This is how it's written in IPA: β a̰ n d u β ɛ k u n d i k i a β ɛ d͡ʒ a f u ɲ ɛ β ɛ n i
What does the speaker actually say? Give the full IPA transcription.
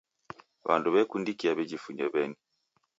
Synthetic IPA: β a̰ n d u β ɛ k u n d i k i a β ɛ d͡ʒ i f u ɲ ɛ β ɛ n i